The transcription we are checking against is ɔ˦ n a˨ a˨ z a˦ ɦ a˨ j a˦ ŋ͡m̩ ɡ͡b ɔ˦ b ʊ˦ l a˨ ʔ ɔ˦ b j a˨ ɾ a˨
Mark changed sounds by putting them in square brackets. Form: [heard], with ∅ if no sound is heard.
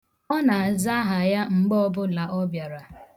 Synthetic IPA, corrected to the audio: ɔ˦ n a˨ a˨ z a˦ ɦ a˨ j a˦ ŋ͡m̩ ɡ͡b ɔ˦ b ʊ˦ l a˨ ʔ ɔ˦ b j a˨ ɾ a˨